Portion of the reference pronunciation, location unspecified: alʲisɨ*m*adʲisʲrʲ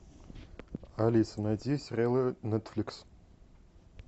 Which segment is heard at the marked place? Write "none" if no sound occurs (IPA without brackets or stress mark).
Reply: n